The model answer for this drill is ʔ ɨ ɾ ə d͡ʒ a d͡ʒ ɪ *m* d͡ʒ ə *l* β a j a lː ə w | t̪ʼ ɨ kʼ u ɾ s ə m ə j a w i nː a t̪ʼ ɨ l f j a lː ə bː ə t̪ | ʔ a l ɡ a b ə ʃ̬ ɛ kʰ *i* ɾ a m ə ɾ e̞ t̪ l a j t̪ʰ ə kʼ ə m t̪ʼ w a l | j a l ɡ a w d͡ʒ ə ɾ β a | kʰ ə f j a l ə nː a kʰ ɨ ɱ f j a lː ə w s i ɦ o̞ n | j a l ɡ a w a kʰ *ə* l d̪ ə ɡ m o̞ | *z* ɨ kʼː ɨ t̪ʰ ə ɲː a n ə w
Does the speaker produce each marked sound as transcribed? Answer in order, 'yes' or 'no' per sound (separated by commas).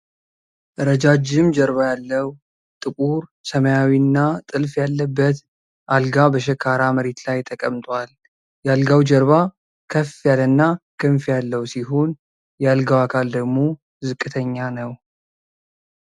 yes, no, no, no, yes